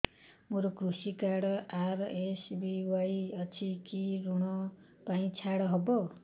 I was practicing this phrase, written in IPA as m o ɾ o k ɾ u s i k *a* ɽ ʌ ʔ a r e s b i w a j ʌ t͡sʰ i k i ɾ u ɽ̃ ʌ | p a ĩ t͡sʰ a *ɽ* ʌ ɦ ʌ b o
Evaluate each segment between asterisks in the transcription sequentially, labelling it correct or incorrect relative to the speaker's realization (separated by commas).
correct, correct